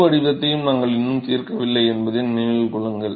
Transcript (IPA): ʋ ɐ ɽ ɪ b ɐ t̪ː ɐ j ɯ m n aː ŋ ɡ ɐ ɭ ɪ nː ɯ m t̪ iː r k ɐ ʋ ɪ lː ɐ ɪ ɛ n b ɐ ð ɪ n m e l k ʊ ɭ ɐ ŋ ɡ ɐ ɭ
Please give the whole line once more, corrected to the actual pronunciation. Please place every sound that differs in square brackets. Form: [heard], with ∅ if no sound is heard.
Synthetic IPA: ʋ ɐ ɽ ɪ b ɐ t̪ː ɐ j ɯ m n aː ŋ ɡ ɐ ɭ ɪ nː ɯ m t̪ iː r k ɐ ʋ ɪ lː ɐ ɪ ɛ n b ɐ ð ɪ n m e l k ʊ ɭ ɐ ŋ ɡ ɐ ɭ